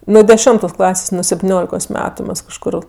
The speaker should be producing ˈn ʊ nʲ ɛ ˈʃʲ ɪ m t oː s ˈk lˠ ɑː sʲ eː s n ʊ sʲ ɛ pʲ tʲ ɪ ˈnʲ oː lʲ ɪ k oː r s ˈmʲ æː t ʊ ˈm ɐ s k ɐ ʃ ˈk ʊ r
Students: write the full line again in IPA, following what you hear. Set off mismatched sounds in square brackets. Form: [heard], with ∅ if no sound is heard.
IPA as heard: ˈn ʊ [dʲ] ɛ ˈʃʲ ɪ m t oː s ˈk lˠ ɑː sʲ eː s n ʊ sʲ ɛ pʲ tʲ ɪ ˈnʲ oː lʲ ɪ k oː [∅] s ˈmʲ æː t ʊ ˈm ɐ s k ɐ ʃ ˈk ʊ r